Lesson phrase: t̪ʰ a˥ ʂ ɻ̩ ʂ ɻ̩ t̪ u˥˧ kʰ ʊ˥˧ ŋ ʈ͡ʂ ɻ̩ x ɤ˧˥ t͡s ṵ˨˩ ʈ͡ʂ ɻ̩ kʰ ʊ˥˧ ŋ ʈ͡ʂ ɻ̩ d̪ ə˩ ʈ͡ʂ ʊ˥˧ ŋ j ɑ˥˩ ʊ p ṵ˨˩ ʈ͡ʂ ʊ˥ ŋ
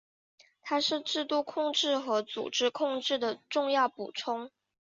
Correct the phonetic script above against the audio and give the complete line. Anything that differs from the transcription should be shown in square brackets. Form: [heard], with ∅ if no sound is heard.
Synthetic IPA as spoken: t̪ʰ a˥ ʂ ɻ̩ [ʈ͡ʂ] ɻ̩ t̪ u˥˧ kʰ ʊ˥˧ ŋ ʈ͡ʂ ɻ̩ x ɤ˧˥ t͡s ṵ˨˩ ʈ͡ʂ ɻ̩ kʰ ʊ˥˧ ŋ ʈ͡ʂ ɻ̩ d̪ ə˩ ʈ͡ʂ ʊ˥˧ ŋ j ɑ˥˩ ʊ p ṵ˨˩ [ʈ͡ʂʰ] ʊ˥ ŋ